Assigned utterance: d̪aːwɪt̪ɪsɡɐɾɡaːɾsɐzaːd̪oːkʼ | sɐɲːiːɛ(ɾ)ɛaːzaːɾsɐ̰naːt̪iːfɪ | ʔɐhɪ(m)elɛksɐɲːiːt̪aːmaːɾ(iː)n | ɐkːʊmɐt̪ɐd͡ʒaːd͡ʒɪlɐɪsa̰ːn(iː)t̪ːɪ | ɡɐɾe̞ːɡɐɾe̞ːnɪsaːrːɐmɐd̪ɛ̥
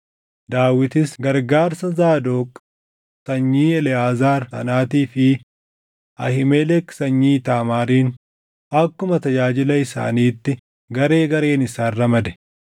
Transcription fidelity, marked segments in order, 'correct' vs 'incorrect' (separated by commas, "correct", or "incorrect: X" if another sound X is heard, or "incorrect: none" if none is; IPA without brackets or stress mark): incorrect: l, correct, correct, correct